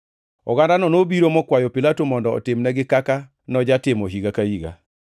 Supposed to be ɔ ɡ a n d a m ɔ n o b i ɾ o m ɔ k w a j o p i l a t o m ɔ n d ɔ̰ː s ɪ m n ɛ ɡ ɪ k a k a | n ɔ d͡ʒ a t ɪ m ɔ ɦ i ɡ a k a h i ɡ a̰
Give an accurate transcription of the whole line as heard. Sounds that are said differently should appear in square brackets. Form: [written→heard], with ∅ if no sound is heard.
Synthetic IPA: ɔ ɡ a n d a [m→n] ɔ n o b i ɾ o m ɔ k w a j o p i l a t o m ɔ n d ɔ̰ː [s→t] ɪ m n ɛ ɡ ɪ k a k a | n ɔ d͡ʒ a t ɪ m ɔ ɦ i ɡ a k a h i ɡ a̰